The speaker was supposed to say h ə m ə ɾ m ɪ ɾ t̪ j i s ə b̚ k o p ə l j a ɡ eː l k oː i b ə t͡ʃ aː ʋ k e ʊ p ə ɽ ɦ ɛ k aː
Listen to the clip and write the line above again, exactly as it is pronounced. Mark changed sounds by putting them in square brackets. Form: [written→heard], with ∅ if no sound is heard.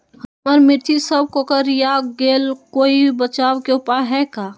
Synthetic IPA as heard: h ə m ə ɾ m ɪ ɾ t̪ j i s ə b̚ k o [p→k] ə [l→ɾ] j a ɡ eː l k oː i b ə t͡ʃ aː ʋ k e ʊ p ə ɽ ɦ ɛ k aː